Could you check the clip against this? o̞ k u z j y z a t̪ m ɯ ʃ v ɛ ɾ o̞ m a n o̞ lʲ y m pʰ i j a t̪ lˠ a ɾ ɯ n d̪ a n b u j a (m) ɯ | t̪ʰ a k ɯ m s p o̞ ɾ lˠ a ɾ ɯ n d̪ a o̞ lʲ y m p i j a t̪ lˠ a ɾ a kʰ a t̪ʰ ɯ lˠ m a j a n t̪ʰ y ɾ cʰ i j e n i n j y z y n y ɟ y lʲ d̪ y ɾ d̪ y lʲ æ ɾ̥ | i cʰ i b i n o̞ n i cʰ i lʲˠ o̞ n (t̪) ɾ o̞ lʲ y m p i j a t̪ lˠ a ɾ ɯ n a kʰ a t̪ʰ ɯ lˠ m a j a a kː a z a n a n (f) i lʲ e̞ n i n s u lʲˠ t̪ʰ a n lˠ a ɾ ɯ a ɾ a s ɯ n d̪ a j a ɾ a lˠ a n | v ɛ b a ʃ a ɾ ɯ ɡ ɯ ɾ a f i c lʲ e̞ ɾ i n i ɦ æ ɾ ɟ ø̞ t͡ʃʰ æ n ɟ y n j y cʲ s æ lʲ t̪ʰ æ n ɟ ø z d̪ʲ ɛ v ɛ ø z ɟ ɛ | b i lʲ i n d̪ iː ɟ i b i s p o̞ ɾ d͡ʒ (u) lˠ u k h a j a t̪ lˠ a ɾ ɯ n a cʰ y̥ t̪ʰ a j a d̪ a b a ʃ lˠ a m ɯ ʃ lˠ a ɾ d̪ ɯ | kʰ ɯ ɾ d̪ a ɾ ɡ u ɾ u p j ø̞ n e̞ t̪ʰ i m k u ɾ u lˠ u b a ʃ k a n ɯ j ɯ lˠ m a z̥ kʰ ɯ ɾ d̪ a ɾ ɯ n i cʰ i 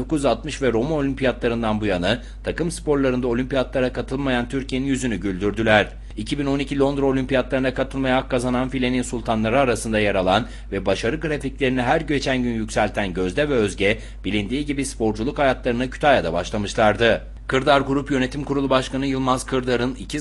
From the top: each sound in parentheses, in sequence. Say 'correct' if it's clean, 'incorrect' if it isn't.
incorrect, incorrect, correct, correct

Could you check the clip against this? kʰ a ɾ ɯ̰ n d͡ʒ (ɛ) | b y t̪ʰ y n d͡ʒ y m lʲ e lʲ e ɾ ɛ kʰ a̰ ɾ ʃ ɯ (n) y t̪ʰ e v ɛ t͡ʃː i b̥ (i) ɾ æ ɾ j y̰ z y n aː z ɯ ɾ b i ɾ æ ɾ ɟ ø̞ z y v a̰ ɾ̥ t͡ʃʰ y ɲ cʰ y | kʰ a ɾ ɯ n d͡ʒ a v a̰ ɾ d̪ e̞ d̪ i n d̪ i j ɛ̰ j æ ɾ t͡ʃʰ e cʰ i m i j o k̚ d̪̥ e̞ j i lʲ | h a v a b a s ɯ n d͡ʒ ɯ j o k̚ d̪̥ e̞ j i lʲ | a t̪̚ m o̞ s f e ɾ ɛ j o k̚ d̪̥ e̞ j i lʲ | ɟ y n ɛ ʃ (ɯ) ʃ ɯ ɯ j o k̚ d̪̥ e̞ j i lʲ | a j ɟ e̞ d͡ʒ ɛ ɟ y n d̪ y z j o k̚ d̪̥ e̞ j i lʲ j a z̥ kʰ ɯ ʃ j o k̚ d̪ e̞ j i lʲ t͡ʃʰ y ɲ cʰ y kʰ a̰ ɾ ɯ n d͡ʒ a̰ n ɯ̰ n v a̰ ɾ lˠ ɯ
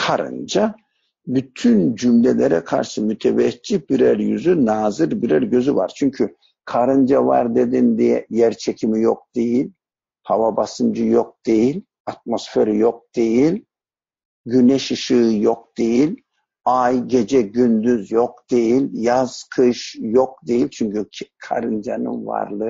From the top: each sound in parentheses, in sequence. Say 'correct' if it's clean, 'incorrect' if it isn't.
incorrect, incorrect, correct, correct

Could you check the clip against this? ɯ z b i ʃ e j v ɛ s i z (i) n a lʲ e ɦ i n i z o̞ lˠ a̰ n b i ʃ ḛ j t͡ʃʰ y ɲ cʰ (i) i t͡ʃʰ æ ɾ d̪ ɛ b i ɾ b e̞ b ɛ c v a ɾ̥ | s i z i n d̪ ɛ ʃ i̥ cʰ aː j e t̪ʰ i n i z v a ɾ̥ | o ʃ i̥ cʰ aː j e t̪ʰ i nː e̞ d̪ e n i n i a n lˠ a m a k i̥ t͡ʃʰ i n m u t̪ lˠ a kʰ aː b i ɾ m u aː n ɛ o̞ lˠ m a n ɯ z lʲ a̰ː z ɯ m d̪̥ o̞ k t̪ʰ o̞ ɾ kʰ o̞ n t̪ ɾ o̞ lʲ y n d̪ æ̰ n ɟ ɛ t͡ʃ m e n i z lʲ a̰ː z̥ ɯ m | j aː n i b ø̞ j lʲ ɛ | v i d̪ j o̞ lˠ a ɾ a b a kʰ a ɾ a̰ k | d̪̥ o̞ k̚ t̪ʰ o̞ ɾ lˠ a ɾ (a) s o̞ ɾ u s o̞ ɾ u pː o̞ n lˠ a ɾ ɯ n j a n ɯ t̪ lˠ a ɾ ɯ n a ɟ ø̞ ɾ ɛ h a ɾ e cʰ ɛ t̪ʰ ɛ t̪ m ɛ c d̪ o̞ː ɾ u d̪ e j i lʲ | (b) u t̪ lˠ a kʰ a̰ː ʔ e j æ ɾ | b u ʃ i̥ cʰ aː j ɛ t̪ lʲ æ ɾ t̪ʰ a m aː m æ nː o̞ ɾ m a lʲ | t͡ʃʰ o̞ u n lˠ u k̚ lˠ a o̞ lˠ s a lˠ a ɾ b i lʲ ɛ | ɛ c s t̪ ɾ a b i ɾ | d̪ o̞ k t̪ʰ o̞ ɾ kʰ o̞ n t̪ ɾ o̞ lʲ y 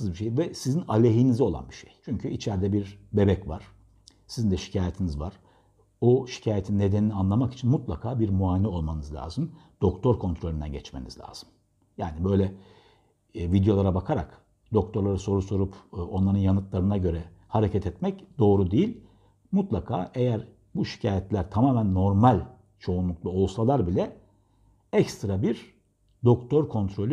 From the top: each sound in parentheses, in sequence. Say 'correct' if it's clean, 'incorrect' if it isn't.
correct, incorrect, correct, incorrect

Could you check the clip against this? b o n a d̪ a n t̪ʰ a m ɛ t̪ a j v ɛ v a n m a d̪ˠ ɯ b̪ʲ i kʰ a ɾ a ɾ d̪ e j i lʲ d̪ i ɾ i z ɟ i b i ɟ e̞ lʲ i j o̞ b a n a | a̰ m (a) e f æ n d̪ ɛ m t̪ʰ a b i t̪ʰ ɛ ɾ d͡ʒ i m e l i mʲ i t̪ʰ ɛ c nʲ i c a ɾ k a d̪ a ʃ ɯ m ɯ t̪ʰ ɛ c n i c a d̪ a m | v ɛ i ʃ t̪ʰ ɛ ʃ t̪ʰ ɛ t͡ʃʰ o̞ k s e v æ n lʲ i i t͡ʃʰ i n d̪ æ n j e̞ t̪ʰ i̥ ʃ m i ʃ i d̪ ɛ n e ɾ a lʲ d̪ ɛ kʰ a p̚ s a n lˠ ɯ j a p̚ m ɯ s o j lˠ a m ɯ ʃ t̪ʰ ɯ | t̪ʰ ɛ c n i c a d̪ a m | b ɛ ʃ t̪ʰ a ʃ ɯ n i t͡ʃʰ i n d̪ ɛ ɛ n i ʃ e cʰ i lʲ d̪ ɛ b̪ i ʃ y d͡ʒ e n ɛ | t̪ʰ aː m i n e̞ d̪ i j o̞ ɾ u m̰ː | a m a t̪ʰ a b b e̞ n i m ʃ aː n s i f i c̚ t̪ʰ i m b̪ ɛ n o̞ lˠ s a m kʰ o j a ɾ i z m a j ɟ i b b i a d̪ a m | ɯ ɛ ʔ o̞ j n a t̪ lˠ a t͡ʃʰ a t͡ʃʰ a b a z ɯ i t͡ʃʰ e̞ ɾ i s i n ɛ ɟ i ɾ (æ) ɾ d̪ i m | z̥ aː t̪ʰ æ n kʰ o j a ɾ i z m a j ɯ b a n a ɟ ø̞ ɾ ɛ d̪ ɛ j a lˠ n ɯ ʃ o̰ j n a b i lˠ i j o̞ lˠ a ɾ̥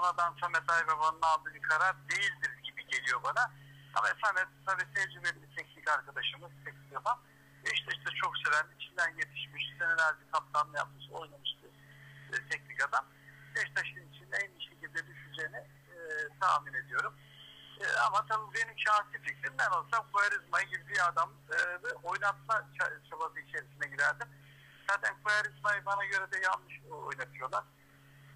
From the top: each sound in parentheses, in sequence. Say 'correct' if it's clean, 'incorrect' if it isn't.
correct, correct

